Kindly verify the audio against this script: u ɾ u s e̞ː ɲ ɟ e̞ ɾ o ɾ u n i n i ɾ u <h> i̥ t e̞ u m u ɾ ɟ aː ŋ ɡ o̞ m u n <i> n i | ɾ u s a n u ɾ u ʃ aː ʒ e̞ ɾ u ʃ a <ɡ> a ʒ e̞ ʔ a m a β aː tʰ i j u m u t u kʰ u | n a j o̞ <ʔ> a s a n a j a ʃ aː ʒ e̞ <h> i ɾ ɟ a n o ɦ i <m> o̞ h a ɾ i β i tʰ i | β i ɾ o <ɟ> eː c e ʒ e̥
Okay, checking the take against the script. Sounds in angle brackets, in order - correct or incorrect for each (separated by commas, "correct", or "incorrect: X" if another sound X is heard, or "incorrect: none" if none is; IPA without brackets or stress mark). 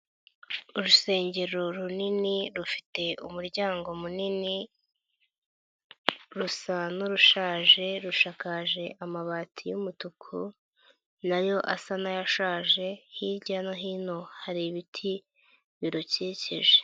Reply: incorrect: f, correct, incorrect: k, correct, correct, incorrect: n, incorrect: c